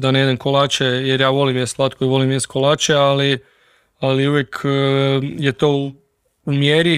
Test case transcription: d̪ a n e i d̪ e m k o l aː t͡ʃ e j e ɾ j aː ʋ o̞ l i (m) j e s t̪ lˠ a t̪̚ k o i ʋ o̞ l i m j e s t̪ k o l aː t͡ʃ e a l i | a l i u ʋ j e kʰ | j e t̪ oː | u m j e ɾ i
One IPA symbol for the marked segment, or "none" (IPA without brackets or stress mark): m